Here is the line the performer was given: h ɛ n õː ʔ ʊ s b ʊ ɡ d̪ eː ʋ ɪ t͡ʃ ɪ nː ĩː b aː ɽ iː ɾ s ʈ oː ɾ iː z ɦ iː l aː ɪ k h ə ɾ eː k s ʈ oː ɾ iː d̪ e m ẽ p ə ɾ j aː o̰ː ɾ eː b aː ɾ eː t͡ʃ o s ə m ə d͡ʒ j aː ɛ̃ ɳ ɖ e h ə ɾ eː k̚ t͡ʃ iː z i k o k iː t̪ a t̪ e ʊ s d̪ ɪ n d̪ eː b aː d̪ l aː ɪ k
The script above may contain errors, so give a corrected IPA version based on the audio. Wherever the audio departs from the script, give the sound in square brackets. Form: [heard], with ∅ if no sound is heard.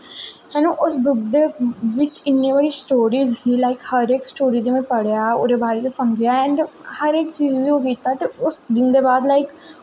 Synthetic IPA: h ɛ n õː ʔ ʊ s b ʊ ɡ d̪ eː ʋ ɪ t͡ʃ ɪ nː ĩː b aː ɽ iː [∅] s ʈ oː ɾ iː z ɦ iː l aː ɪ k h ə ɾ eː k s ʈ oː ɾ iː d̪ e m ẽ p ə [ɽ] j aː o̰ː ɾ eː b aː ɾ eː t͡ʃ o s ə m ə d͡ʒ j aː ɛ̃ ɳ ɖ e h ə ɾ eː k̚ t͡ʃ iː z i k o k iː t̪ a t̪ e ʊ s d̪ ɪ n d̪ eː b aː d̪ l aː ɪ k